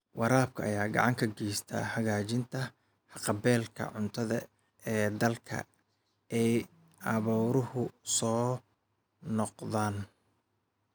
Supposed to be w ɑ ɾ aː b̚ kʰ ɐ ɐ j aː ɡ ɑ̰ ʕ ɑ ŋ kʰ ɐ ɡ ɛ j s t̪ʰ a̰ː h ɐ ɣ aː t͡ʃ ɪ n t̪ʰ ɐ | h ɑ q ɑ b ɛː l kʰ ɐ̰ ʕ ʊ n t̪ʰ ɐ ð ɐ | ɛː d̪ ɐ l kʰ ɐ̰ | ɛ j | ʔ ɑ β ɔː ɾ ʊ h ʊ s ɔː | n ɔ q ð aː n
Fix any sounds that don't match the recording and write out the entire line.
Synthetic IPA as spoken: w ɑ ɾ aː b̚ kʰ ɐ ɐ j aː ɡ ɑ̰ ʕ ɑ ŋ kʰ ɐ ɡ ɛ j s t̪ʰ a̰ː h ɐ ɣ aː t͡ʃ ɪ n t̪ʰ ɐ | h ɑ q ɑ b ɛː l kʰ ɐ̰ ʕ ʊ n t̪ʰ ɐ ð ɐ | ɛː d̪ ɐ l kʰ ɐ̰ | ɛ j | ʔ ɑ β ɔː ɾ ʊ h ʊ s ɔː | n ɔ q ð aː n

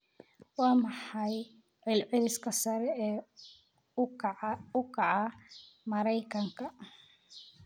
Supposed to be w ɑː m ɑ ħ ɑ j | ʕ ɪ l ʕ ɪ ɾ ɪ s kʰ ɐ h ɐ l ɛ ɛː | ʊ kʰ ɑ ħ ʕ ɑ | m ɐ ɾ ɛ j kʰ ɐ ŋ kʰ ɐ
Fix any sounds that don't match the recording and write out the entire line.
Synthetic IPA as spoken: w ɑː m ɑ ħ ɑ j | ʕ ɪ l ʕ ɪ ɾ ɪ s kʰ ɐ s ɐ ɾ ɛ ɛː | ʊ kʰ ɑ ʕ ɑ | m ɐ ɾ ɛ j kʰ ɐ ŋ kʰ ɐ

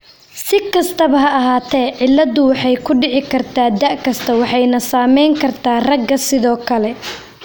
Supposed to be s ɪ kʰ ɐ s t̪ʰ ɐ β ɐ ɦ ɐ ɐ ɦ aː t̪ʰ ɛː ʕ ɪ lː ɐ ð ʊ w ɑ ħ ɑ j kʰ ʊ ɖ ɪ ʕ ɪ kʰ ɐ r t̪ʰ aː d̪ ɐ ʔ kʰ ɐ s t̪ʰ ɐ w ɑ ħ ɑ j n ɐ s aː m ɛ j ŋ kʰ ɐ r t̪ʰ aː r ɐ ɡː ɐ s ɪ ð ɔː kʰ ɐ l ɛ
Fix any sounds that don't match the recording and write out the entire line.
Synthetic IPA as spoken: s ɪ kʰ ɐ s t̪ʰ ɐ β ɐ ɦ ɐ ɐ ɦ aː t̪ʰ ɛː ʕ ɪ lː ɐ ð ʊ w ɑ ħ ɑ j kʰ ʊ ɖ ɪ ʕ ɪ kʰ ɐ r t̪ʰ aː d̪ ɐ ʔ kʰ ɐ s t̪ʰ ɐ w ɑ ħ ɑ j n ɐ s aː m ɛ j ŋ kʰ ɐ r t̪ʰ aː r ɐ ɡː ɐ s ɪ ð ɔː kʰ ɐ l ɛ

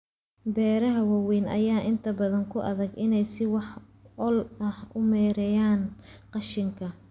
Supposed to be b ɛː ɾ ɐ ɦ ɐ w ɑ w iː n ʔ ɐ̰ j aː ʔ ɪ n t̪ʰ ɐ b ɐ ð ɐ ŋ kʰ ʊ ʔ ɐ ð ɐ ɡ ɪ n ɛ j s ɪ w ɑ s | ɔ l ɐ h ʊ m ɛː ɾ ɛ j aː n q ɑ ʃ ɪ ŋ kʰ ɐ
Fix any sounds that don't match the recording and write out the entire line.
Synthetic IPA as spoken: b ɛː ɾ ɐ ɦ ɐ w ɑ w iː n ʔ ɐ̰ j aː ʔ ɪ n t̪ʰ ɐ b ɐ ð ɐ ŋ kʰ ʊ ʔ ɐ ð ɐ ɡ ɪ n ɛ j s ɪ w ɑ ħ | ɔ l ɐ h ʊ m ɛː ɾ ɛ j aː n q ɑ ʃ ɪ ŋ kʰ ɐ

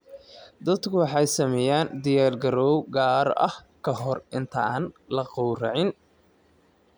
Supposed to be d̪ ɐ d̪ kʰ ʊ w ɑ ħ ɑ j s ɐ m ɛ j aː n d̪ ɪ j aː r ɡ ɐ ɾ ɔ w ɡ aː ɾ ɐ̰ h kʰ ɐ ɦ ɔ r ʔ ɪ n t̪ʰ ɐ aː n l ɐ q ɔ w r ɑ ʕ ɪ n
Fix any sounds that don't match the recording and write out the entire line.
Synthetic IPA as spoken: d̪ ɐ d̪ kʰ ʊ w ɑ ħ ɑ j s ɐ m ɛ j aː n d̪ ɪ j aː r ɡ ɐ ɾ ɔ w ɡ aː ɾ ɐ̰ h kʰ ɐ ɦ ɔ r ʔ ɪ n t̪ʰ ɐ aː n l ɐ q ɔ w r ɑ ʕ ɪ n

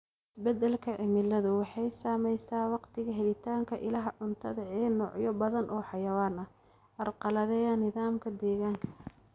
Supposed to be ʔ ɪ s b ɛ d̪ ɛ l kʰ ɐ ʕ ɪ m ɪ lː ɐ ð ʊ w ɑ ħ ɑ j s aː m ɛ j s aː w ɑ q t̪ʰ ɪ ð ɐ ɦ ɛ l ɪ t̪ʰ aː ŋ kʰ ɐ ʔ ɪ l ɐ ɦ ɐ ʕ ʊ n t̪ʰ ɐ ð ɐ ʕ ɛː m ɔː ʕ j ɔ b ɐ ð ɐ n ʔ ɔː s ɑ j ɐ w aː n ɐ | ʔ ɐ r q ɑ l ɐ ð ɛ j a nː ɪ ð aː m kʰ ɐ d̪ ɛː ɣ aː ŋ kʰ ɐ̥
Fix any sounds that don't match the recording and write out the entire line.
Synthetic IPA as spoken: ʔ ɪ s b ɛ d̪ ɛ l kʰ ɐ ʕ ɪ m ɪ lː ɐ ð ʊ w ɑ ħ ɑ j s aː m ɛ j s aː w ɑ q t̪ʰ ɪ ɣ ɐ ɦ ɛ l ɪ t̪ʰ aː ŋ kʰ ɐ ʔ ɪ l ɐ ɦ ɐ ʕ ʊ n t̪ʰ ɐ ð ɐ ʕ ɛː n ɔː ʕ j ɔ b ɐ ð ɐ n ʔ ɔː ħ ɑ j ɐ w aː n ɐ | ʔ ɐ r q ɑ l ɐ ð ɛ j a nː ɪ ð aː m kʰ ɐ d̪ ɛː ɣ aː ŋ kʰ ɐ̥

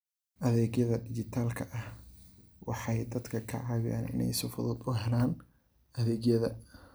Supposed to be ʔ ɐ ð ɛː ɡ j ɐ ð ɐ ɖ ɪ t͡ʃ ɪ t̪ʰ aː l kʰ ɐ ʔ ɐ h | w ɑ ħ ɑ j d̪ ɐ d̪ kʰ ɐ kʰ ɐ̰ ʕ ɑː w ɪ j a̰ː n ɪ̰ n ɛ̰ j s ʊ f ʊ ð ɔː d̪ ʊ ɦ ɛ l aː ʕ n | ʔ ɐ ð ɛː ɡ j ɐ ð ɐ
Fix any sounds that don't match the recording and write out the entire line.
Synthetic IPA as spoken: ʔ ɐ ð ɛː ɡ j ɐ ð ɐ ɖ ɪ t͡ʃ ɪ t̪ʰ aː l kʰ ɐ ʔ ɐ h | w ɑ ħ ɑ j d̪ ɐ d̪ kʰ ɐ kʰ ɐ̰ ʕ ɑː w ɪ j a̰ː n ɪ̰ n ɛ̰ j s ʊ f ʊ ð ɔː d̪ ʊ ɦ ɛ l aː n | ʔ ɐ ð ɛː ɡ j ɐ ð ɐ

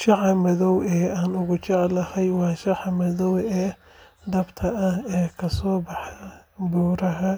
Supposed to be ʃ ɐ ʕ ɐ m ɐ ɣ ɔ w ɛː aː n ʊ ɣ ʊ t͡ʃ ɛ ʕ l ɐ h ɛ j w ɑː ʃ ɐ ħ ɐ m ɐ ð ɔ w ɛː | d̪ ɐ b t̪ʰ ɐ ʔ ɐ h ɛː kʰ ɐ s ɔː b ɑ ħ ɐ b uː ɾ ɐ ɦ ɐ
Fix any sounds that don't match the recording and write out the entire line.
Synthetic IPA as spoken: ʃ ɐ ʕ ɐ m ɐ ð ɔ w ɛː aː n ʊ ɣ ʊ t͡ʃ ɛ ʕ l ɐ h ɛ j w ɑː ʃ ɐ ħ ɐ m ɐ ð ɔ w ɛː | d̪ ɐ b t̪ʰ ɐ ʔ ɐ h ɛː kʰ ɐ s ɔː b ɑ ħ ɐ b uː ɾ ɐ ɦ ɐ

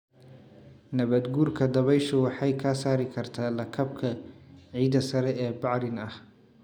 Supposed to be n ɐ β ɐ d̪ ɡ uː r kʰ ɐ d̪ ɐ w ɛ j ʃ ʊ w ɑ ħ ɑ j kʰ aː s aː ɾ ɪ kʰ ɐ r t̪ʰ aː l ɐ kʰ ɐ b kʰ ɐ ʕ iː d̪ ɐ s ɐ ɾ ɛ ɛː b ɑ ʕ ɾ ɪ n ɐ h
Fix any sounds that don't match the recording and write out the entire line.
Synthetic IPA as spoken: n ɐ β ɐ d̪ ɡ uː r kʰ ɐ d̪ ɐ β ɛ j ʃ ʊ w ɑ ħ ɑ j kʰ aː s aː ɾ ɪ kʰ ɐ r t̪ʰ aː l ɐ kʰ ɐ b kʰ ɐ ʕ iː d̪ ɐ s ɐ ɾ ɛ ɛː b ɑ ʕ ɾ ɪ n ɐ h

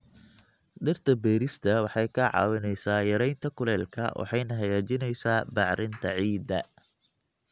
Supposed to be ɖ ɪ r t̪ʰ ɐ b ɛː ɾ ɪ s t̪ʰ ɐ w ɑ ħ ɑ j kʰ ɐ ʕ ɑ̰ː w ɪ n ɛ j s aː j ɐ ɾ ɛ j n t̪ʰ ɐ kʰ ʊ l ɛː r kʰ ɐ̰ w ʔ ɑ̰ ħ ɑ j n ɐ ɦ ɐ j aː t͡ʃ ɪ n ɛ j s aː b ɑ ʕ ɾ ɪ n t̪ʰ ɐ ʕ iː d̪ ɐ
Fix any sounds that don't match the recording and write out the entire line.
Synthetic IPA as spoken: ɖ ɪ r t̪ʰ ɐ b ɛː ɾ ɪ s t̪ʰ ɐ w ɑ ħ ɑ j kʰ ɐ ʕ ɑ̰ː w ɪ n ɛ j s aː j ɐ ɾ ɛ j n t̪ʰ ɐ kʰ ʊ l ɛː l kʰ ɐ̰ w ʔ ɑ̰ ħ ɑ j n ɐ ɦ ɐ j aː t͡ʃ ɪ n ɛ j s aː b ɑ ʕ ɾ ɪ n t̪ʰ ɐ ʕ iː d̪ ɐ

